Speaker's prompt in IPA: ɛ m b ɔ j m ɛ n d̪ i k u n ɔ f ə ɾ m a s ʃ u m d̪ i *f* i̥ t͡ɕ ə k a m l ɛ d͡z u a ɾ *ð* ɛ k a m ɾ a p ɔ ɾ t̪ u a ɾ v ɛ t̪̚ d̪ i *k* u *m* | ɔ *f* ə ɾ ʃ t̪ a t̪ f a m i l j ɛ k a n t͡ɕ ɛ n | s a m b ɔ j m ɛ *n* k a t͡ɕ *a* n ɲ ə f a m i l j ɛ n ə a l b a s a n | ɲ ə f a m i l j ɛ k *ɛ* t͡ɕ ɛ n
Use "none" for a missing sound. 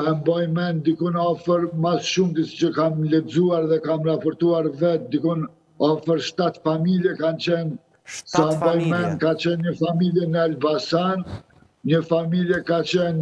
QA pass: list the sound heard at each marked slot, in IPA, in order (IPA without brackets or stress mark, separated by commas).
s, ð, k, n, f, n, ɛ, a